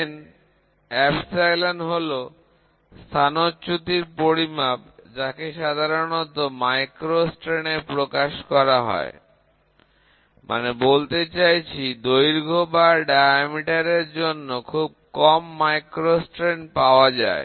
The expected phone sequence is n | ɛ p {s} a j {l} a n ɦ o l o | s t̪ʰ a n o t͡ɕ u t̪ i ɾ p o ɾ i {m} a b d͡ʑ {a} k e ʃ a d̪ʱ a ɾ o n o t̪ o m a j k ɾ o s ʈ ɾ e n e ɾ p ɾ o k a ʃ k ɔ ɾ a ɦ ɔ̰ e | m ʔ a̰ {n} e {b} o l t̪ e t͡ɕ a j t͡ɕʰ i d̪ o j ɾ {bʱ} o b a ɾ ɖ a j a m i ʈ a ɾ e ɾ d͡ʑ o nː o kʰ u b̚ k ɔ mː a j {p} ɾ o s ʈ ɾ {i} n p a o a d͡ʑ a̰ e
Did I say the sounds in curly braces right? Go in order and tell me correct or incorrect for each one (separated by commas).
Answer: correct, correct, correct, correct, correct, correct, incorrect, incorrect, incorrect